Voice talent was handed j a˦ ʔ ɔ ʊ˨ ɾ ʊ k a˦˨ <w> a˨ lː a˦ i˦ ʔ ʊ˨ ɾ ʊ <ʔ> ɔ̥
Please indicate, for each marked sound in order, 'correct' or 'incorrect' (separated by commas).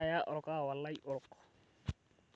correct, incorrect